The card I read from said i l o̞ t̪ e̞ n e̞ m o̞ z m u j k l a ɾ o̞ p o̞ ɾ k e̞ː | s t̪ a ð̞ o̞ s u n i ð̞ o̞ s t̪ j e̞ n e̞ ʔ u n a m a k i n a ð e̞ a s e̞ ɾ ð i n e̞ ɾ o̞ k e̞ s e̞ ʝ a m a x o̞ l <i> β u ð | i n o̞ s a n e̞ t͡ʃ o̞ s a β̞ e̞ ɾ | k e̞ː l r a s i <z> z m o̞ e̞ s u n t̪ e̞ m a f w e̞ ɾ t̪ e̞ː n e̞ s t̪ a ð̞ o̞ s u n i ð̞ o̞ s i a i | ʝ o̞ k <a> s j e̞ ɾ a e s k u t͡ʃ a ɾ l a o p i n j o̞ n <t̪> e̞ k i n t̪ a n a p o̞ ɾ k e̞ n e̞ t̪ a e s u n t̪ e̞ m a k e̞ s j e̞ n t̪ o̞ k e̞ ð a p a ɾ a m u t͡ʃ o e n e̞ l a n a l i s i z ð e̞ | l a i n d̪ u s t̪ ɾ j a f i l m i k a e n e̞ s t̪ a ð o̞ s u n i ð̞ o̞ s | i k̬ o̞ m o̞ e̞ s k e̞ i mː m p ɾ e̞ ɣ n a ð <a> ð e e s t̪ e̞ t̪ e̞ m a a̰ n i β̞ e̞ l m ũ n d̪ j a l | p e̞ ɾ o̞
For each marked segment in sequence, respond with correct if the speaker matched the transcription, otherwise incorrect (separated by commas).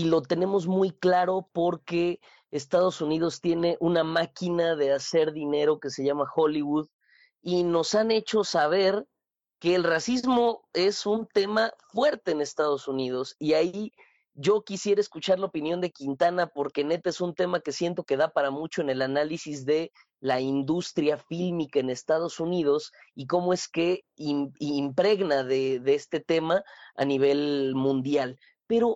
correct, correct, incorrect, incorrect, incorrect